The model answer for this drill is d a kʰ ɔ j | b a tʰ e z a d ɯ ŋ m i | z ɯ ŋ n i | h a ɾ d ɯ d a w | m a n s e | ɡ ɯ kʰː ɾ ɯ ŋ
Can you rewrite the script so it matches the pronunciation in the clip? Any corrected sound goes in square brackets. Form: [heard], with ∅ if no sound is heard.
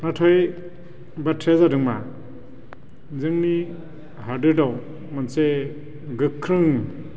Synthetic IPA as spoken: [n] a [tʰ] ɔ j | b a tʰ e z a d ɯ ŋ m [a] | z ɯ ŋ n i | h a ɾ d ɯ d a w | m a n s e | ɡ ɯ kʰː ɾ ɯ ŋ